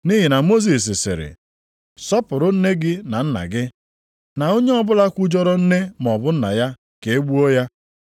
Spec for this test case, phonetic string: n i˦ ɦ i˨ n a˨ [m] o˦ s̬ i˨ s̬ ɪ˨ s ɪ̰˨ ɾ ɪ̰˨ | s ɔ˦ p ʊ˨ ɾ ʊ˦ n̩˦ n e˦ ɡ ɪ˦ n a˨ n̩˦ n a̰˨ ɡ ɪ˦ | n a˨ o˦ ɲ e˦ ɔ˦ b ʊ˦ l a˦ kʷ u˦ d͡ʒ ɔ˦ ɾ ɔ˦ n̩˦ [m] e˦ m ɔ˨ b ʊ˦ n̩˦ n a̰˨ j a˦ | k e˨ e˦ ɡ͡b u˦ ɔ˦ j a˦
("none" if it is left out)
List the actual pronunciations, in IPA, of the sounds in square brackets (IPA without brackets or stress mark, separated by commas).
m, n